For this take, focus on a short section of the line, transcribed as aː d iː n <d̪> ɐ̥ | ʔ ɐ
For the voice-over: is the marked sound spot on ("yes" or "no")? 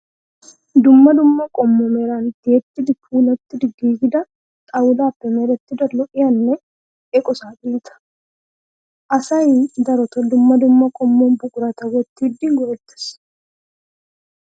no